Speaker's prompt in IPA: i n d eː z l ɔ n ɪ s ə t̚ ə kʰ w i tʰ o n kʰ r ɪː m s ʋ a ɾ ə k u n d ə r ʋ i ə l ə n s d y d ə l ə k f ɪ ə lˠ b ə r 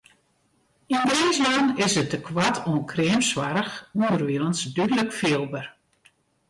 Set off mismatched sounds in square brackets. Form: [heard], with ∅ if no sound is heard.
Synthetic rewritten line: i n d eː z l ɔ n ɪ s ə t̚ ə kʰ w [a] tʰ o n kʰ r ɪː m s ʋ a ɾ ə [x] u n d ə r ʋ i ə l ə n s d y d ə l ə k f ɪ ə lˠ b ə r